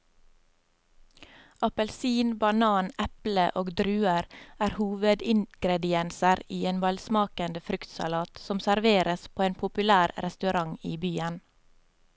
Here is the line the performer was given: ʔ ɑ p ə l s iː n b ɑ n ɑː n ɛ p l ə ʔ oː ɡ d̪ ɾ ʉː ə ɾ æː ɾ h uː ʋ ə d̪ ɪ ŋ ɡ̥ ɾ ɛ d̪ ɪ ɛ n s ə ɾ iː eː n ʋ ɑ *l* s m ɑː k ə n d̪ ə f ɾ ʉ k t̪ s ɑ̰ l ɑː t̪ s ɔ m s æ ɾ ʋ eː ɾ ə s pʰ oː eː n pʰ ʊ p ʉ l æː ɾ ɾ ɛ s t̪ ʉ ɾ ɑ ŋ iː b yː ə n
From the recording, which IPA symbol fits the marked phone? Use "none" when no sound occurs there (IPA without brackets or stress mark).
l